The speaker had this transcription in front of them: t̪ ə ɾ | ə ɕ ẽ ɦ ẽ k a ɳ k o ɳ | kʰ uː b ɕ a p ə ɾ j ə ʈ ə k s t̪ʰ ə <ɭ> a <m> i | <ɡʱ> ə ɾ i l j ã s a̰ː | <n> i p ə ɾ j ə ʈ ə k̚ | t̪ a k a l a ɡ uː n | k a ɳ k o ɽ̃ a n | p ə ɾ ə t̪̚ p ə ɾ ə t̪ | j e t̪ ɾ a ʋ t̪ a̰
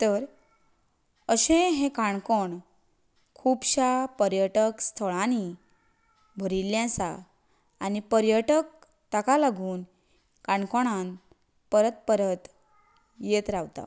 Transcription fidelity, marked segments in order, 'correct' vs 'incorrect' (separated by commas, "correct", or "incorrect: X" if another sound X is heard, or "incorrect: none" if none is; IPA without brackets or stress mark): correct, incorrect: n, incorrect: bʱ, correct